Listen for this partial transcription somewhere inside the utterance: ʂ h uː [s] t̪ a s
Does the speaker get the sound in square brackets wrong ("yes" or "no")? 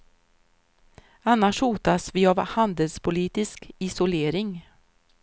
yes